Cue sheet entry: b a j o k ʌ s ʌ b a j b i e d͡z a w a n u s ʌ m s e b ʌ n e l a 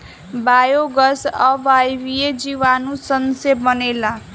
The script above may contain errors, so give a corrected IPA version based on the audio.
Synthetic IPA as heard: b a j o ɡ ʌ s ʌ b a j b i e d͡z i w a n u s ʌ n s e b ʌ n e l a